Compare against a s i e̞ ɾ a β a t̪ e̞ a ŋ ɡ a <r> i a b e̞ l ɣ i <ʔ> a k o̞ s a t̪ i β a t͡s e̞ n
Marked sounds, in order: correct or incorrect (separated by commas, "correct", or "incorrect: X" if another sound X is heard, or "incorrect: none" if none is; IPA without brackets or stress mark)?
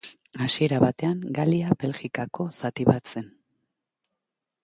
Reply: incorrect: l, incorrect: k